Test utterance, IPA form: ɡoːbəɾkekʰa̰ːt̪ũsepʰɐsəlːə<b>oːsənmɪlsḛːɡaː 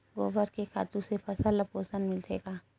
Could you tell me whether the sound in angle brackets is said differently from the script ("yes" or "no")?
yes